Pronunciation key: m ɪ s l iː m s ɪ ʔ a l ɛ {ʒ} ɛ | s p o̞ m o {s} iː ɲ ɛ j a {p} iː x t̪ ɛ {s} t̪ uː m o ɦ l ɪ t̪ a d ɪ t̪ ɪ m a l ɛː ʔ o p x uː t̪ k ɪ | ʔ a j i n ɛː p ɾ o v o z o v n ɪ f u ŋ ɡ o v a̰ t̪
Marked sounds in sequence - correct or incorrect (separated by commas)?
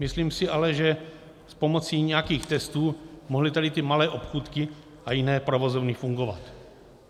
correct, incorrect, incorrect, correct